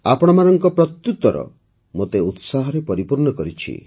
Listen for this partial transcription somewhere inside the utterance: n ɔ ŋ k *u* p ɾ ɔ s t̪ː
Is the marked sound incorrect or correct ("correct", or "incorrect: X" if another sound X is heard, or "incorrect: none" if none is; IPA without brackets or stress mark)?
incorrect: ɔ